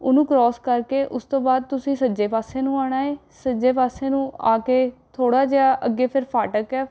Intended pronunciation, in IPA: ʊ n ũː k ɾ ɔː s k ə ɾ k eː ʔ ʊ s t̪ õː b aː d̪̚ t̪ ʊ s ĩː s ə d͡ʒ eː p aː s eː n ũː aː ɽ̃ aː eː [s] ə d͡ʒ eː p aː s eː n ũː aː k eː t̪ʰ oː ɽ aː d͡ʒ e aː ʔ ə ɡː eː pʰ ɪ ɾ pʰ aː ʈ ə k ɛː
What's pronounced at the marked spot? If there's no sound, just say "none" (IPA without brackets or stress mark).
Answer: s